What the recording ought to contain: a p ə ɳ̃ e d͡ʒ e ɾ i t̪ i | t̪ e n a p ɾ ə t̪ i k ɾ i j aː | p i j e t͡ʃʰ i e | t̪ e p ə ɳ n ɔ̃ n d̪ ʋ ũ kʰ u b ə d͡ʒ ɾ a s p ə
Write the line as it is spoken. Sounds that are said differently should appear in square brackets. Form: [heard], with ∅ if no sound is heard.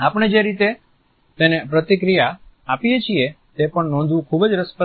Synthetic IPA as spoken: a p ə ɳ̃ e d͡ʒ e ɾ i t̪ [e] | t̪ e n [e] p ɾ ə t̪ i k ɾ i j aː | p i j e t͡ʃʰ i e | t̪ e p ə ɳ n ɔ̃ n d̪ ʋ ũ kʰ u b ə d͡ʒ ɾ [ə] s p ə